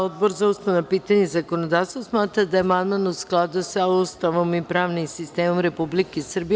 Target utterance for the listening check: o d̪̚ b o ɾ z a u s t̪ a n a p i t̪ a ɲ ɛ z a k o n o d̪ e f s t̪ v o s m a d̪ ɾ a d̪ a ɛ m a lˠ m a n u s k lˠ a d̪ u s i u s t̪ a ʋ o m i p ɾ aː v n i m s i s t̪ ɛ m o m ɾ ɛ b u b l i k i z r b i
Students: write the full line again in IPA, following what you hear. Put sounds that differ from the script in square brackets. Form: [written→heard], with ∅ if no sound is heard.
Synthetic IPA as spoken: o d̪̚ b o ɾ z a u s t̪ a n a p i t̪ a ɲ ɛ z a k o n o d̪ [e→a] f s t̪ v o s m a [d̪→t̪] ɾ a d̪ a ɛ m a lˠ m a n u s k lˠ a d̪ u s [i→a] u s t̪ a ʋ o m i p ɾ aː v n i m s i s t̪ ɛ m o m ɾ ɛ [b→p] u b l i k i [z→s] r b i

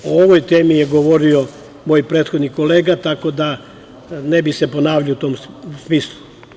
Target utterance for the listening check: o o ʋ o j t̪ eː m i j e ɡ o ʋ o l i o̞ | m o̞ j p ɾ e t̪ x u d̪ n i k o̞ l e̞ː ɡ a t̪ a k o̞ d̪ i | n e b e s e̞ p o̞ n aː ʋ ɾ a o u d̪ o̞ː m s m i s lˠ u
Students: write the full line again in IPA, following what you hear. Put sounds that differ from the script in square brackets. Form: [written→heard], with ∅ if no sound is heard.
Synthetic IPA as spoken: o o ʋ o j t̪ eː m i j e ɡ o ʋ o [l→ɾ] i o̞ | m o̞ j p ɾ e t̪ x [u→o] d̪ n i k o̞ l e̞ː ɡ a t̪ a k o̞ d̪ [i→a] | n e b [e→i] s e̞ p o̞ n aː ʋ [ɾ→ʎ] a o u [d̪→t̪] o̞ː m s m i s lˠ u

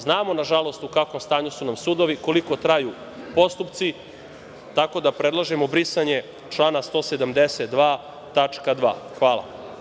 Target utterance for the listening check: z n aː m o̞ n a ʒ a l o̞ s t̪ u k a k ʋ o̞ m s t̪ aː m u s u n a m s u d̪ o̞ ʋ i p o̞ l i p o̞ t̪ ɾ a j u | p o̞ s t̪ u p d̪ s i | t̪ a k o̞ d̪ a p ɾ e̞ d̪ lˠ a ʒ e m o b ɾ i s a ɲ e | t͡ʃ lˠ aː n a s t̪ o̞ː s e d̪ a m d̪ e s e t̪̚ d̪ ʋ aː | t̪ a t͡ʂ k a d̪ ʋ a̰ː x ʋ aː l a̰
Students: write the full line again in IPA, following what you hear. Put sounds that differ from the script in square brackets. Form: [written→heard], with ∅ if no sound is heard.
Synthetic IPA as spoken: z n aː m o̞ n a ʒ a l o̞ s t̪ u k a k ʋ o̞ m s t̪ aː [m→ɲ] u s u n a m s u d̪ o̞ ʋ i [p→k] o̞ l i [p→k] o̞ t̪ ɾ a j u | p o̞ s t̪ u p [d̪→t̪] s i | t̪ a k o̞ d̪ a p ɾ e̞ d̪ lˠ a ʒ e m o b ɾ i s a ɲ e | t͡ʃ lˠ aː n a s t̪ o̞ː s e d̪ a m d̪ e s e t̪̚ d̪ ʋ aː | t̪ a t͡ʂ k a d̪ ʋ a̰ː x ʋ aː l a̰

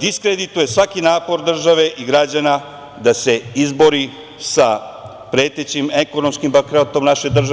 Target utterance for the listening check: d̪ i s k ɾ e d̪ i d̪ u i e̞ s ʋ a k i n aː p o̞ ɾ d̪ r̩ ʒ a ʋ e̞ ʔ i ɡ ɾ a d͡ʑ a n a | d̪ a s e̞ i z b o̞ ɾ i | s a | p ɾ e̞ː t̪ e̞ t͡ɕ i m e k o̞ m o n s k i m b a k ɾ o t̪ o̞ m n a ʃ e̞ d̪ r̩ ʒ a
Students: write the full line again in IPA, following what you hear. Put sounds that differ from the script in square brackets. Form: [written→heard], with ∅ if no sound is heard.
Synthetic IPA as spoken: d̪ i s k ɾ e d̪ i [d̪→t̪] u [i→j] e̞ s ʋ a k i n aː p o̞ ɾ d̪ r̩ ʒ a ʋ e̞ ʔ i ɡ ɾ a d͡ʑ a n a | d̪ a s e̞ i z b o̞ ɾ i | s a | p ɾ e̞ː t̪ e̞ t͡ɕ i m e k o̞ [m→n] o [n→m] s k i m b a k ɾ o t̪ o̞ m n a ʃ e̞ d̪ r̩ ʒ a

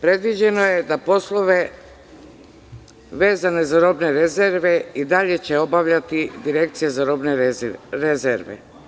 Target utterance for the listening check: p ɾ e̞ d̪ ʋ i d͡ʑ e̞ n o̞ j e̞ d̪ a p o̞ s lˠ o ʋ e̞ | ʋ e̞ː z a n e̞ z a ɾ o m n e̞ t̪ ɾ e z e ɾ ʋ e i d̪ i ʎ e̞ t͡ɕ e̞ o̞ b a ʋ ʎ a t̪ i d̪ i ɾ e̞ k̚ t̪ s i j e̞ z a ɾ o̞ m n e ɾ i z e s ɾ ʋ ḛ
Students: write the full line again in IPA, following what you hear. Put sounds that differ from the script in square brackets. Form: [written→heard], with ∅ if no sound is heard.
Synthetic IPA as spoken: p ɾ e̞ d̪ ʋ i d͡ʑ e̞ n o̞ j e̞ d̪ a p o̞ s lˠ o ʋ e̞ | ʋ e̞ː z a n e̞ z a ɾ o [m→b] n e̞ [t̪→∅] ɾ e z e ɾ ʋ e i d̪ [i→a] ʎ e̞ t͡ɕ e̞ o̞ b a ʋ ʎ a t̪ i d̪ i ɾ e̞ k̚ t̪ s i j e̞ z a ɾ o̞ [m→b] n e ɾ [i→e] z e [s→∅] ɾ ʋ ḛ

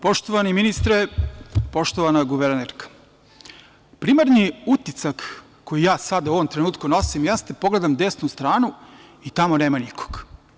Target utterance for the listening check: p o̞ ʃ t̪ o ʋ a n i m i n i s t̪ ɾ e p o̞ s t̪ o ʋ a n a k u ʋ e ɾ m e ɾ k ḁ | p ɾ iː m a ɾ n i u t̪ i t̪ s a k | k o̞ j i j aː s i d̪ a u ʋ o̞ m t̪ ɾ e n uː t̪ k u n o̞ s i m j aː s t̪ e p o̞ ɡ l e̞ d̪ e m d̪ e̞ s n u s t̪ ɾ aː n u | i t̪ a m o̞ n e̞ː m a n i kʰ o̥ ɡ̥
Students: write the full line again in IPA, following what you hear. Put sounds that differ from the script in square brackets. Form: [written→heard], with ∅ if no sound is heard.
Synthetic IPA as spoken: p o̞ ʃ t̪ o ʋ a n i m i n i s t̪ ɾ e p o̞ [s→ʃ] t̪ o ʋ a n a [k→ɡ] u ʋ e ɾ [m→n] e ɾ k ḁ | p ɾ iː m a ɾ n i u t̪ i t̪ s a k | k o̞ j i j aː s [i→a] d̪ a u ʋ o̞ m t̪ ɾ e n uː t̪ k u n o̞ s i m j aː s t̪ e p o̞ ɡ l e̞ d̪ [e→a] m d̪ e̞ s n u s t̪ ɾ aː n u | i t̪ a m o̞ n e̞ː m a n i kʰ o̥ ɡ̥

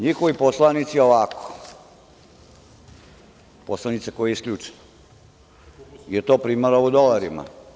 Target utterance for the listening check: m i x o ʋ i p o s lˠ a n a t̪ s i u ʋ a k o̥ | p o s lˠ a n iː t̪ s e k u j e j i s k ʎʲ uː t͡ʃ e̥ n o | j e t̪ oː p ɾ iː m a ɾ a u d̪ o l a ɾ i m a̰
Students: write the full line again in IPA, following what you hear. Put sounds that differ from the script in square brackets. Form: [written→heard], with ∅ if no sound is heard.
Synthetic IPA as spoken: [m→ɲ] i x o ʋ i p o s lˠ a n [a→i] t̪ s i [u→o] ʋ a k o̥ | p o s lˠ a n [iː→i] t̪ s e k [u→o] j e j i s k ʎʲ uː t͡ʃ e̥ n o | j e t̪ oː p ɾ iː m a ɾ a u d̪ o l a ɾ i m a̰

